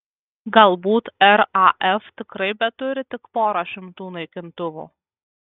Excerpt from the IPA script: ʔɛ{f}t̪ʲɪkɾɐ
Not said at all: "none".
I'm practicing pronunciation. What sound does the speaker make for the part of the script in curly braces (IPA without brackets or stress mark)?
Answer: f